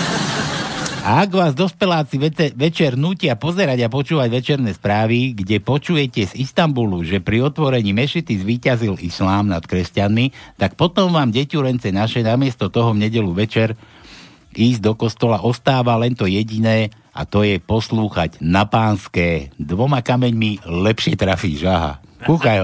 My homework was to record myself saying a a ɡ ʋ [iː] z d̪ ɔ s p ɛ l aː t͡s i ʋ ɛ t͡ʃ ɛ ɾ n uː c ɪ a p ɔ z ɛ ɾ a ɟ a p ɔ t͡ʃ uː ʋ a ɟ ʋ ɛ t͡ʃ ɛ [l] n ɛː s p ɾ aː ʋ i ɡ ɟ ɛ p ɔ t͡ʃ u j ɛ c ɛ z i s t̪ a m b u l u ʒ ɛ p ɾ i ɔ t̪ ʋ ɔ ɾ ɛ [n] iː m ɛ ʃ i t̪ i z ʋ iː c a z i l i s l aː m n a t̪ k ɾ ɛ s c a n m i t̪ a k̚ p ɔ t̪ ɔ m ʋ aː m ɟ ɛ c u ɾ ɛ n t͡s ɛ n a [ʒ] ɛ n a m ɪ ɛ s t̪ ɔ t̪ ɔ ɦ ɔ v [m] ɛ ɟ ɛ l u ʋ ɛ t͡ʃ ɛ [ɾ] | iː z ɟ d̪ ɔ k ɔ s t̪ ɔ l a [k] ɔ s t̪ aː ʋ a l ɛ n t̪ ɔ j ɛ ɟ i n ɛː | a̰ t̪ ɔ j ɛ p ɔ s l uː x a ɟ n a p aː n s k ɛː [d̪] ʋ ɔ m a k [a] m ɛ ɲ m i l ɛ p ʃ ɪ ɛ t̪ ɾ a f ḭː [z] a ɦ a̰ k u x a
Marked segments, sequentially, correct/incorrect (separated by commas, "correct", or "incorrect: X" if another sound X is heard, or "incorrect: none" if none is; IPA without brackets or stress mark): incorrect: aː, incorrect: ɾ, incorrect: ɲ, incorrect: ʃ, incorrect: ɲ, correct, incorrect: ʔ, correct, correct, incorrect: ʒ